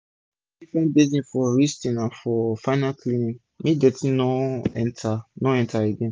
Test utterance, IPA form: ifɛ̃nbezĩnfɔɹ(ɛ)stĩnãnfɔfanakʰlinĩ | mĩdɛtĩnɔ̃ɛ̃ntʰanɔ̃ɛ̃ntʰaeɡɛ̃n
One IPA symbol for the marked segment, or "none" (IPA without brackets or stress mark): i